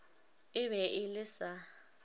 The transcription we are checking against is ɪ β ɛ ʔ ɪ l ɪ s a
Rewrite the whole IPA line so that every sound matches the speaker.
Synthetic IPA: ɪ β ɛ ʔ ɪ l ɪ s a